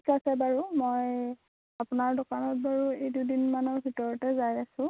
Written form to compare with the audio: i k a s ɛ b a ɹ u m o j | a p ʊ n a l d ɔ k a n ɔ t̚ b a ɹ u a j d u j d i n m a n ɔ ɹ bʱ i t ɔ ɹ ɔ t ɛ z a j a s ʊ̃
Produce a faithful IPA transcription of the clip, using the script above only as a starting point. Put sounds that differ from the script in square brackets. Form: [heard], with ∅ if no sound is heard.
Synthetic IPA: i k a s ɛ b a ɹ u m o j | a p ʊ n a [ɹ] d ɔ k a n ɔ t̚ b a ɹ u [e] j d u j d i n m a n ɔ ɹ bʱ i t ɔ ɹ ɔ t ɛ z a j a s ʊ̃